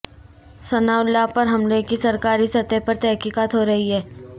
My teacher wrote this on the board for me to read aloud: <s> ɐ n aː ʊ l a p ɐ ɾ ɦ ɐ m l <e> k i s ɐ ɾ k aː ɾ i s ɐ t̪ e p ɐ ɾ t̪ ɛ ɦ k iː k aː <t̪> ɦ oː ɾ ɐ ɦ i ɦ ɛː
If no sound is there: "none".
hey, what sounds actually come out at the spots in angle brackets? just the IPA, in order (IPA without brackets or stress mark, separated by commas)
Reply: s, e, t̪